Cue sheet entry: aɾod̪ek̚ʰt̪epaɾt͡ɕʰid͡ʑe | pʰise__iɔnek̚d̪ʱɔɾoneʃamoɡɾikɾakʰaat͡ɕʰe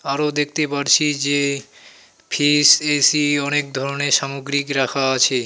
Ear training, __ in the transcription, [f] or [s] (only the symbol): s